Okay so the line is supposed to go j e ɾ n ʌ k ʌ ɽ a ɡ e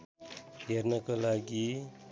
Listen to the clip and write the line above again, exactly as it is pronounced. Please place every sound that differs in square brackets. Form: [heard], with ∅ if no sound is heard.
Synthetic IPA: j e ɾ n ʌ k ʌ [l] a ɡ [i]

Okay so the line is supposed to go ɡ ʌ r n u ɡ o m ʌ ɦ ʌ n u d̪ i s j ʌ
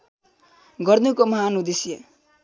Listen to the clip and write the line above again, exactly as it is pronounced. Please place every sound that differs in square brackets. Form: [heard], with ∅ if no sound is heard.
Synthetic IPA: ɡ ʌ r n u [k] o m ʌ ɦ [a] n u d̪ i s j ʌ

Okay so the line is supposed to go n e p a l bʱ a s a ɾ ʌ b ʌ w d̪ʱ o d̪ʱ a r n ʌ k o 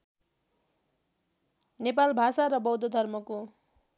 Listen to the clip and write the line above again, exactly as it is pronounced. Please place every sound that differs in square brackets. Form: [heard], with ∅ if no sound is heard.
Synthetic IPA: n e p a l bʱ a s a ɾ ʌ b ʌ w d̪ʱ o d̪ʱ [ʌ] r [m] ʌ k o

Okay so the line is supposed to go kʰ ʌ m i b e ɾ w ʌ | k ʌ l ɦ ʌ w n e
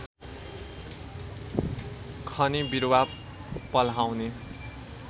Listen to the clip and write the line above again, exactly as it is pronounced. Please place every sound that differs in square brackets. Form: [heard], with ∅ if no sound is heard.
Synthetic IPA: kʰ ʌ [n] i b [i] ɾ w [a] | [p] ʌ l ɦ [a] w n e

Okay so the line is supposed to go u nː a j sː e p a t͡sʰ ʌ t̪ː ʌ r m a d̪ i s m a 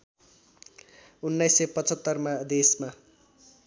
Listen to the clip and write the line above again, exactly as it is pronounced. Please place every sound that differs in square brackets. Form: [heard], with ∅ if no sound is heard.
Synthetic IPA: u nː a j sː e p [ʌ] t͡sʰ ʌ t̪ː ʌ r m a d̪ [e] s m a

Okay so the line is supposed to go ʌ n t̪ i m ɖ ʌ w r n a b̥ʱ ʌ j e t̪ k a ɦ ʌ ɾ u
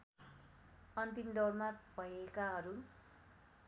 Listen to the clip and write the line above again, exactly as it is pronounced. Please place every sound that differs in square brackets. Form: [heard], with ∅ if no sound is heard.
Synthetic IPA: ʌ n t̪ i m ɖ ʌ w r [m] a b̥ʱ ʌ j e [∅] k a ɦ ʌ ɾ u

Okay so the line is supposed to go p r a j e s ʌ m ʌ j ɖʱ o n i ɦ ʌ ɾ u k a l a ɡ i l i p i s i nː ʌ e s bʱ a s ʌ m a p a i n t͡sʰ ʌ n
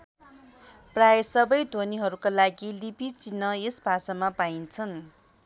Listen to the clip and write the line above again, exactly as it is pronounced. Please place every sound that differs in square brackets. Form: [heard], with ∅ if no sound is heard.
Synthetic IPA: p r a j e s ʌ [b] ʌ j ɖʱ o n i ɦ ʌ ɾ u k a l a ɡ i l i p i [t͡s] i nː ʌ e s bʱ a s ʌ m a p a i n t͡sʰ ʌ n

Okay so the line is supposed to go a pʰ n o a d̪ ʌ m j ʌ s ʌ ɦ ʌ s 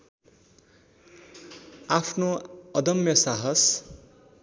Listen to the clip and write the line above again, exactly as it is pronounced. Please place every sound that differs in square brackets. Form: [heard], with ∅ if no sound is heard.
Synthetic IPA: a pʰ n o [ʌ] d̪ ʌ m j ʌ s [a] ɦ ʌ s

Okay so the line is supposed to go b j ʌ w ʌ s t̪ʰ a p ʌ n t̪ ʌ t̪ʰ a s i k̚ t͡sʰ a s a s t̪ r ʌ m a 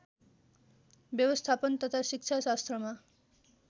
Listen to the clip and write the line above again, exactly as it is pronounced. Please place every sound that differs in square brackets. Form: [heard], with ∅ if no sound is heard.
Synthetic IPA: b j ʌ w ʌ s t̪ʰ a p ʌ n t̪ ʌ t̪ʰ a s i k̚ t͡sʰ a s a s t̪ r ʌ m a

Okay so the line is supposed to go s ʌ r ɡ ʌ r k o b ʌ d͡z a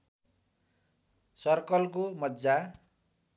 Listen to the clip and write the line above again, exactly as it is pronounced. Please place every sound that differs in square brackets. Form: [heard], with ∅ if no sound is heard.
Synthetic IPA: s ʌ r [k] ʌ [l] k o [m] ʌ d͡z a

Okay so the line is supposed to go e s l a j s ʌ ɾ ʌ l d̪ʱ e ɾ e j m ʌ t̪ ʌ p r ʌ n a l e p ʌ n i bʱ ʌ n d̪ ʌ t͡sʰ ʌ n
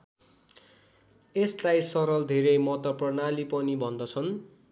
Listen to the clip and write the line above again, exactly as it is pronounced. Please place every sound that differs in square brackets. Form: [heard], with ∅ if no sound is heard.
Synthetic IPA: e s l a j s ʌ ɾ ʌ l d̪ʱ e ɾ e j m ʌ t̪ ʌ p r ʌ n a l [i] p ʌ n i bʱ ʌ n d̪ ʌ t͡sʰ ʌ n

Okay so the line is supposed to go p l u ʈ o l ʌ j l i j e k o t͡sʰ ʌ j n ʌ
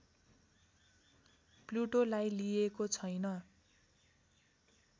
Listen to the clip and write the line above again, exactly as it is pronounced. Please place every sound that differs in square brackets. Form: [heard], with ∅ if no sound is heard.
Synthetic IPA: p l u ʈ o l [a] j l i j e k o t͡sʰ ʌ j n ʌ

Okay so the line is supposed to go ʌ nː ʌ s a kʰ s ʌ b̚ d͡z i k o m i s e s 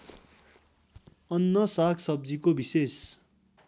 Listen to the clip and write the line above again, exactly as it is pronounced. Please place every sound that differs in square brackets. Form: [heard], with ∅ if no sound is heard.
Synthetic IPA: ʌ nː ʌ s a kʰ s ʌ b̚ d͡z i k o [b] i s e s

